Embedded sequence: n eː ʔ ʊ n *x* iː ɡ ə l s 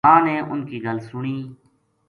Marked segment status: incorrect: k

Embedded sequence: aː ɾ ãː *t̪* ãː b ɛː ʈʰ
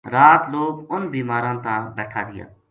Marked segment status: correct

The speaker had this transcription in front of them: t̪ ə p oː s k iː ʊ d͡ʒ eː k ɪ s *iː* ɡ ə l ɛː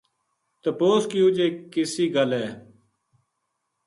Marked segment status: correct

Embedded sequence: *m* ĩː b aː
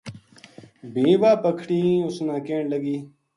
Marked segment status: incorrect: b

